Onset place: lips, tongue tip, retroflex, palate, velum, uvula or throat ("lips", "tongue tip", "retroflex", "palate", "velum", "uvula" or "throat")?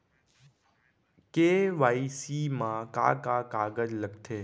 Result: velum